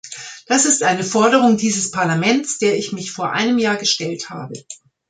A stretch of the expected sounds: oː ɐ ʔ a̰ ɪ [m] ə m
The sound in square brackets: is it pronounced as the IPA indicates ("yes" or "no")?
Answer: no